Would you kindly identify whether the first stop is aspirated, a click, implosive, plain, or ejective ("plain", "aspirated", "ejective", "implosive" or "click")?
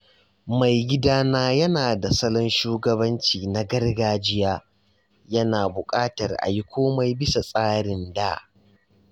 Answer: plain